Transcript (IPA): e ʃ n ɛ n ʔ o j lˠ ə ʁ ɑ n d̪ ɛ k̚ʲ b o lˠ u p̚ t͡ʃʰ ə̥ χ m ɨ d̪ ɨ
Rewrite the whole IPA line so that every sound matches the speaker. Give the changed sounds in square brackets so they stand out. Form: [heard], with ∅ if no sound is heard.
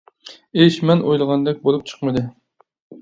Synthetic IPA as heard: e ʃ [m] ɛ n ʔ o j lˠ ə ʁ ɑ n d̪ ɛ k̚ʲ b o lˠ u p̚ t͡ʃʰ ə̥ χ m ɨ d̪ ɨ